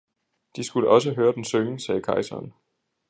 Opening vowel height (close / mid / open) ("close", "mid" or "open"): close